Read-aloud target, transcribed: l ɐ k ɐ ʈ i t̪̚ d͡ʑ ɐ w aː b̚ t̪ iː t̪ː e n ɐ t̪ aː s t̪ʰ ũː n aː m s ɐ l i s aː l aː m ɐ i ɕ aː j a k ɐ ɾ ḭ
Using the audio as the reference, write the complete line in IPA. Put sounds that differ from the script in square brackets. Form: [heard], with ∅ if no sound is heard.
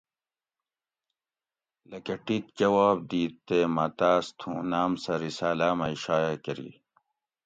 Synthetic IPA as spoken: l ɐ k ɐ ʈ i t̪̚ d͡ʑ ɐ w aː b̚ [d̪] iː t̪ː e [m] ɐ t̪ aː s t̪ʰ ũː n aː m s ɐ [ɾ] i s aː l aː m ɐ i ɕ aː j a k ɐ ɾ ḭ